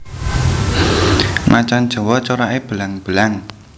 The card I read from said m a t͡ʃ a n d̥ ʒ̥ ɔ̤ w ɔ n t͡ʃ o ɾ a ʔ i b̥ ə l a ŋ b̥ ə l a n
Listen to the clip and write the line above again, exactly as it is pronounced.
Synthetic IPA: m a t͡ʃ a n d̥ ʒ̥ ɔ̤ w ɔ t͡ʃ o ɾ a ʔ e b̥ ə l a ŋ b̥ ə l a ŋ

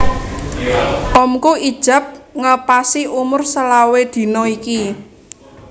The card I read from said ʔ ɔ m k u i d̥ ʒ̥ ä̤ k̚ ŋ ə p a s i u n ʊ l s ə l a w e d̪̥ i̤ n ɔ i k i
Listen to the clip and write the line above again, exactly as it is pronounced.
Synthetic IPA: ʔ ɔ m k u i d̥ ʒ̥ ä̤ p̚ ŋ ə p a s i u m ʊ r s ə l a w e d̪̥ i̤ n ɔ i k i

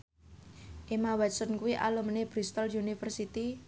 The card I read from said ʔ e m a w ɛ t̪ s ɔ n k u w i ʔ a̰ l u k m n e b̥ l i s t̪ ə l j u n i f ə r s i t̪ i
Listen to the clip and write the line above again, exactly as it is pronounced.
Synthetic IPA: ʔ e m a w ɛ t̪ s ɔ n k u w i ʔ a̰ l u m n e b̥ ɾ i s t̪ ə l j u n i f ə r s i t̪ i

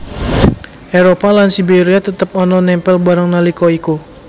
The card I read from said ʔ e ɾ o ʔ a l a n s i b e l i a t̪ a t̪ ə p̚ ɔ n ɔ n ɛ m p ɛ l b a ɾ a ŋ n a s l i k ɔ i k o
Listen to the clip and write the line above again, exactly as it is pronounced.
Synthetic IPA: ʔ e ɾ o p a l a n s i b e ɾ i a t̪ ə t̪ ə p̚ ɔ n ɔ n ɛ m p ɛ l b a ɾ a ŋ n a l i k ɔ i k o

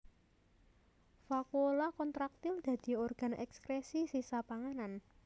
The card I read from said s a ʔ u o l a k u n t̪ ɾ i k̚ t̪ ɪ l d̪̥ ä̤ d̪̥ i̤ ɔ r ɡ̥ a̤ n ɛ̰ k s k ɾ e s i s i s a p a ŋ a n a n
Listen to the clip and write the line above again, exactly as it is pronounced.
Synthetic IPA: f a k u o l a k ɔ n t̪ ɾ a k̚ t̪ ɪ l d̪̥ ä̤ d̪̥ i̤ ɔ r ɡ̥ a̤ n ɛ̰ k s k ɾ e s i s i s a p a ŋ a n a n

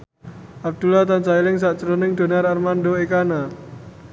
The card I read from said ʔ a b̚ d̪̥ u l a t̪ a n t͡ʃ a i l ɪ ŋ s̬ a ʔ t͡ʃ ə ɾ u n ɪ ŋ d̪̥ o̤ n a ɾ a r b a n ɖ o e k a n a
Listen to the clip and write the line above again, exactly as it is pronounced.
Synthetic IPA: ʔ a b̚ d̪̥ u l a t̪ a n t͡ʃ a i l ɪ ŋ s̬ a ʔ t͡ʃ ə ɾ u n ɪ ŋ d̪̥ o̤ n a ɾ a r m a n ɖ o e k a n a

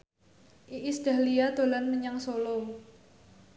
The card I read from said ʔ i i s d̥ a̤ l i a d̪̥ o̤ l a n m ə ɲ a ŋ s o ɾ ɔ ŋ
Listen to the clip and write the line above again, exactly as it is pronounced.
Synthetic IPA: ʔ i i s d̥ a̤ l i a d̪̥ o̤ l a n m ə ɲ a ŋ s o l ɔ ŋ

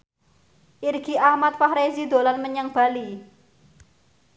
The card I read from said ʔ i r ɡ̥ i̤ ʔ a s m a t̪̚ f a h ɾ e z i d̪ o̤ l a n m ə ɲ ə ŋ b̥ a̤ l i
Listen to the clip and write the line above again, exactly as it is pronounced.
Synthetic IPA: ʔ i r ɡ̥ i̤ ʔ a h m a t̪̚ f a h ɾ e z i d̪ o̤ l a n m ə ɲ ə ŋ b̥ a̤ l i

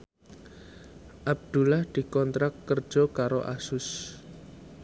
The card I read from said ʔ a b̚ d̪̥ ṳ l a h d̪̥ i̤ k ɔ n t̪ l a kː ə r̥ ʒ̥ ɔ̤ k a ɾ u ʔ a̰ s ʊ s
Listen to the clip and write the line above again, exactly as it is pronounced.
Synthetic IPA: ʔ a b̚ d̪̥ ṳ l a h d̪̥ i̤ k ɔ n t̪ ɾ a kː ə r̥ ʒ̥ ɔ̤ k a ɾ o ʔ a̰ s ʊ s

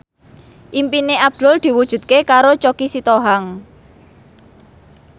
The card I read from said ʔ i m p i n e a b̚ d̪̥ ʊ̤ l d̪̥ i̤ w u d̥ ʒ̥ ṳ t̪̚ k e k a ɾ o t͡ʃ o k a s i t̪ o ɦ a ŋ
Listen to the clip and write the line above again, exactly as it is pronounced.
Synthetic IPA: ʔ i m p i n e a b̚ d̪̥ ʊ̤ l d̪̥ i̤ w u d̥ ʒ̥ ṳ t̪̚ k e k a ɾ o t͡ʃ o k i s i t̪ o ɦ a ŋ

